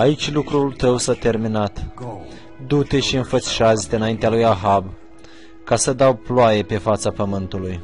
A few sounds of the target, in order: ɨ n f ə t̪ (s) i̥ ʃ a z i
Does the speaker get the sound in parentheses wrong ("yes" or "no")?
no